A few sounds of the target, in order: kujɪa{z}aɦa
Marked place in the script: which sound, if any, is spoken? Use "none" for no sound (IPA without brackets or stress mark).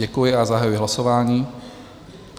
z